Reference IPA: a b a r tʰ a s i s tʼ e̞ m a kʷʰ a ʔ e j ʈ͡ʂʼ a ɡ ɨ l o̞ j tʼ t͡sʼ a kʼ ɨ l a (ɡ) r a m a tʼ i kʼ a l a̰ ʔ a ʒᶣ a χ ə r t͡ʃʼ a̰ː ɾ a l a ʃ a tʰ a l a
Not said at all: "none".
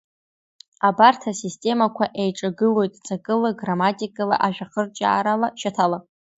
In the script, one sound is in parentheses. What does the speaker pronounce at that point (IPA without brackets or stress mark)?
ɡ